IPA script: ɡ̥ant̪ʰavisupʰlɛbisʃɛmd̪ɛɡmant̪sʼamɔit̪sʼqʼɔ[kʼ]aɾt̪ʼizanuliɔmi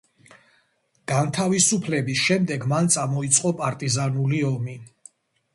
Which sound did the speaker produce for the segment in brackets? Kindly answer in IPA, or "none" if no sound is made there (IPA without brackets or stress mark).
pʼ